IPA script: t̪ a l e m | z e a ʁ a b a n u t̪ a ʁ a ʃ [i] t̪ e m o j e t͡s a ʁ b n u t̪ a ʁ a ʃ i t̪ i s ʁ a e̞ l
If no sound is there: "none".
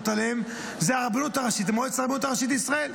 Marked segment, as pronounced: i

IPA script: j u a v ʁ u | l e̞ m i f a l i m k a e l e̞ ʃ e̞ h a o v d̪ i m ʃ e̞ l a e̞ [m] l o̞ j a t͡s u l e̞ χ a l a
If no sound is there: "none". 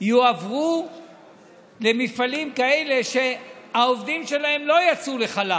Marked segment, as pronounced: m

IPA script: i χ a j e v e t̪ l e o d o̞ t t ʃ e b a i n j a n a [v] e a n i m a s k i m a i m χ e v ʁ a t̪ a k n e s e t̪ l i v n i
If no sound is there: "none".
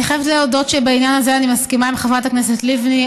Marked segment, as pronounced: z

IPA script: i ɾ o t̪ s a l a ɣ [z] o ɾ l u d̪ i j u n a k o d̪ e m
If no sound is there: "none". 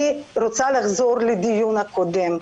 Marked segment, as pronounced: z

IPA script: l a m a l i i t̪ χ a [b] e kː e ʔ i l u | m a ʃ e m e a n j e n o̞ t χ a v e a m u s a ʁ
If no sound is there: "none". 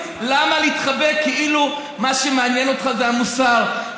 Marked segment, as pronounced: b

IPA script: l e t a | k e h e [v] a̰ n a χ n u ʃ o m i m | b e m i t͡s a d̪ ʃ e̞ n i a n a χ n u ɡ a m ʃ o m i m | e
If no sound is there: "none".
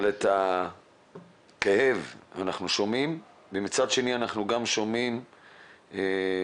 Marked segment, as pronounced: v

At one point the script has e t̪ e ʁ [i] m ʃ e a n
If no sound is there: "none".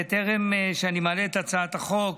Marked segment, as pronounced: e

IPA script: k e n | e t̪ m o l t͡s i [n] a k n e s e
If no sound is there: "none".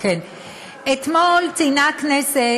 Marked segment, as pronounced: n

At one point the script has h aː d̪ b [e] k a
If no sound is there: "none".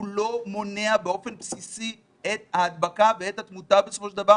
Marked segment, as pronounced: a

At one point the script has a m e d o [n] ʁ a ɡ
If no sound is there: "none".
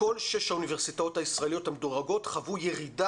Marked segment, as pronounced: none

